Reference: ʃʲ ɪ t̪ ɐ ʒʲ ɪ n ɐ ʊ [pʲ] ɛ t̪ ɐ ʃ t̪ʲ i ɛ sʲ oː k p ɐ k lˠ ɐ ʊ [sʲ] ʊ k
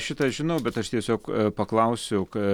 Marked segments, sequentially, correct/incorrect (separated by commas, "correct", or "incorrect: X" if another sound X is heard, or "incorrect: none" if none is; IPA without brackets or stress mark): incorrect: bʲ, correct